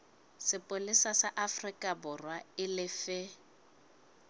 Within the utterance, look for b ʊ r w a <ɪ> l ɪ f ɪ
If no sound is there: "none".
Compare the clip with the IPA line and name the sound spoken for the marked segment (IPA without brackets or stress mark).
ɪ